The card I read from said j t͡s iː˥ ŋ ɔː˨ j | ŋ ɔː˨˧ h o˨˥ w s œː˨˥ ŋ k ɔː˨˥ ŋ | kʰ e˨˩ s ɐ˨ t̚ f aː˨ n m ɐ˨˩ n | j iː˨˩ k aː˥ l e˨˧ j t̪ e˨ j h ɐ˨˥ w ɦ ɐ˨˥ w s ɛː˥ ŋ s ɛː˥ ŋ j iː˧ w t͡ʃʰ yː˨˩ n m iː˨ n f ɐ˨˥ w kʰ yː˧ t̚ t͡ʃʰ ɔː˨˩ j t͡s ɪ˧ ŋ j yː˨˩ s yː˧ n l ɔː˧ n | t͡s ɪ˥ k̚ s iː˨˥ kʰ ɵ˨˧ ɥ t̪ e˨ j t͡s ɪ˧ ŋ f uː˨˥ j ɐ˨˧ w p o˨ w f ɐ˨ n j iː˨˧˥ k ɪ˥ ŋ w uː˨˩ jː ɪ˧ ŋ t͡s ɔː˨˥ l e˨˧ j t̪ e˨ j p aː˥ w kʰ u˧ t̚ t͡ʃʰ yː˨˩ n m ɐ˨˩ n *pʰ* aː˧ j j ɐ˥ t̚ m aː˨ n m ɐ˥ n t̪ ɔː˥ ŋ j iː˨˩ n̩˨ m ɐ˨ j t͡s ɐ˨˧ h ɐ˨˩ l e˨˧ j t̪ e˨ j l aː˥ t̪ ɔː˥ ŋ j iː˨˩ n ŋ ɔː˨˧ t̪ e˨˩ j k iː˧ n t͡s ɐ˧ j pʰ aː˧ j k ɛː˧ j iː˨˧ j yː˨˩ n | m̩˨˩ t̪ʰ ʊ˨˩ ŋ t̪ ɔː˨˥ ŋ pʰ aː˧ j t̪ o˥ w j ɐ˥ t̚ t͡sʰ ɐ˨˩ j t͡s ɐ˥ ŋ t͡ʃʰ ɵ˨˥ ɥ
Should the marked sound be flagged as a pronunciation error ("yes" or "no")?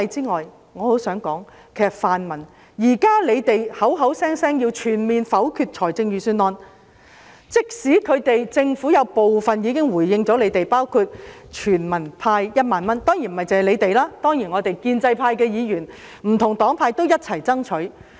no